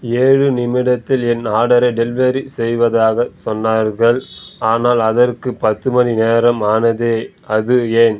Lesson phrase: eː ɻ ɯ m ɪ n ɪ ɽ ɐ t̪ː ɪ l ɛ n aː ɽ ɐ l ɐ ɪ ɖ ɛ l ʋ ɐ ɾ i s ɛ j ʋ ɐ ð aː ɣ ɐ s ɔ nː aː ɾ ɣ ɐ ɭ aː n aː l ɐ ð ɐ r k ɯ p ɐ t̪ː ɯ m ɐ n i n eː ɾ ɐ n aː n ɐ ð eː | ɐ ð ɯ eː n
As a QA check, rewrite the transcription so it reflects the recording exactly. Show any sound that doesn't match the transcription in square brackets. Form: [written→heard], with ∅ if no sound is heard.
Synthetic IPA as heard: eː ɻ ɯ [m→n] ɪ [n→m] ɪ ɽ ɐ t̪ː ɪ l ɛ n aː ɽ ɐ [l→ɾ] ɐ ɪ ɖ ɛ l ʋ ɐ ɾ i s ɛ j ʋ ɐ ð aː ɣ ɐ s ɔ nː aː ɾ ɣ ɐ ɭ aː n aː l ɐ ð ɐ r k ɯ p ɐ t̪ː ɯ m ɐ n i n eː ɾ ɐ [n→m] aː n ɐ ð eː | ɐ ð ɯ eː n